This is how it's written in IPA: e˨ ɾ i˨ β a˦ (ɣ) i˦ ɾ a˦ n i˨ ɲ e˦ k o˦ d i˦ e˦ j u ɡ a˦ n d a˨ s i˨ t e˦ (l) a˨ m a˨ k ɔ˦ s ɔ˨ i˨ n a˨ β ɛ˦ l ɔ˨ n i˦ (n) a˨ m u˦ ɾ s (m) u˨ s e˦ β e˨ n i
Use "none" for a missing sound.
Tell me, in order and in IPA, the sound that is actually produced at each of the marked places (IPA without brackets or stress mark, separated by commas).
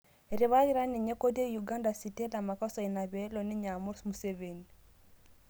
ɣ, l, ɲ, m